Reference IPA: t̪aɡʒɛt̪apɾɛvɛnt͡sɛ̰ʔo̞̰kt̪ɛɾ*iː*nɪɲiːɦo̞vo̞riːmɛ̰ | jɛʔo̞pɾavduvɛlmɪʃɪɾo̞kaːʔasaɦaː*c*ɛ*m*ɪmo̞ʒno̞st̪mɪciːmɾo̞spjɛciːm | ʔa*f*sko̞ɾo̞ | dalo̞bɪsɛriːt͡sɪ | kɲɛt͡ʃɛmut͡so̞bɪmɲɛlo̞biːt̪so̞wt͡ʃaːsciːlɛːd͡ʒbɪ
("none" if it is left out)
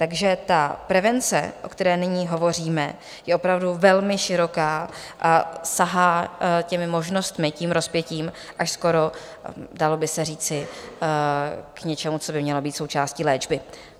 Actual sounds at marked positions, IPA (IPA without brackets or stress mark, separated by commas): ɛː, c, m, ʃ